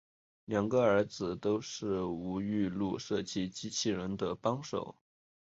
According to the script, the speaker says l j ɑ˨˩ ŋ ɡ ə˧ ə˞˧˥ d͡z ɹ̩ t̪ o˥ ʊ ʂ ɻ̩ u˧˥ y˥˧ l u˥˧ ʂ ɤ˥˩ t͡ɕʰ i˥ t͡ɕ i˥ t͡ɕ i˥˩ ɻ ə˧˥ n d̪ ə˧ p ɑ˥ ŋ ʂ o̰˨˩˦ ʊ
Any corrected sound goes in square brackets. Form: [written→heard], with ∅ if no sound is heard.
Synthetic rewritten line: l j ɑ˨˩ ŋ ɡ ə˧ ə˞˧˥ d͡z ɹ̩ t̪ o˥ ʊ ʂ ɻ̩ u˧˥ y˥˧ l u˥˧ ʂ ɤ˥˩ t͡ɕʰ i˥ t͡ɕ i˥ [t͡ɕ→t͡ɕʰ] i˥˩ ɻ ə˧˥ n d̪ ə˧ p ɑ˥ ŋ ʂ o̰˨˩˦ ʊ